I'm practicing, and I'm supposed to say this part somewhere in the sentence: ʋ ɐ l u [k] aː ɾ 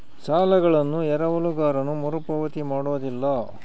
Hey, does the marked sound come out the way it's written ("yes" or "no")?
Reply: no